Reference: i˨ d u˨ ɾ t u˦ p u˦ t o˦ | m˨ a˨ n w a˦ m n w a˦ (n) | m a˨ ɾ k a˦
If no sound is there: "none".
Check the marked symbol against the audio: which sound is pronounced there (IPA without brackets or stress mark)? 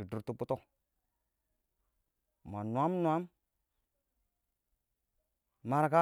m